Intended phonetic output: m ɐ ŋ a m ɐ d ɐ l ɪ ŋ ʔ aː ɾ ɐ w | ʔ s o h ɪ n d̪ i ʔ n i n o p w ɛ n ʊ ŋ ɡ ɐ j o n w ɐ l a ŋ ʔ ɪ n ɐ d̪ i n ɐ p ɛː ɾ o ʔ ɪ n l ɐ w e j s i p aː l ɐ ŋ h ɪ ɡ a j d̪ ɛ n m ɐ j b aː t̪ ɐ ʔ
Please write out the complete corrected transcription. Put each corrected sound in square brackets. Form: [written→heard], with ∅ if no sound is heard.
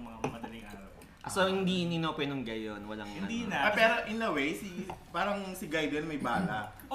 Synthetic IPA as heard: m ɐ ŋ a m ɐ d ɐ l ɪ ŋ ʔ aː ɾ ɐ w | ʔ s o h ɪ n d̪ i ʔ n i n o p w ɛ n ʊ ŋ ɡ ɐ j o n w ɐ l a ŋ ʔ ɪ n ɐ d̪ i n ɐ p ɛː ɾ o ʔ ɪ n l ɐ w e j s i p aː [l→ɾ] ɐ ŋ [h→s] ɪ ɡ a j d̪ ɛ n m ɐ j b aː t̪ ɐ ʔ